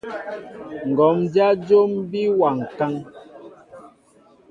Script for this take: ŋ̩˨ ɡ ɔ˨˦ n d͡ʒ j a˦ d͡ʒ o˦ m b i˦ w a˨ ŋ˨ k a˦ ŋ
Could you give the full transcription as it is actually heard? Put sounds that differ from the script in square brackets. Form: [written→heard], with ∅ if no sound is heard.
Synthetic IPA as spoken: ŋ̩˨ ɡ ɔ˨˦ [n→m] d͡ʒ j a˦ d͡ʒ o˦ m b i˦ w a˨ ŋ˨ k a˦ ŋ